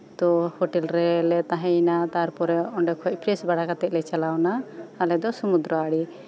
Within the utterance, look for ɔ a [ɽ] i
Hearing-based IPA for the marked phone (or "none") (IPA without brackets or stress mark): ɽ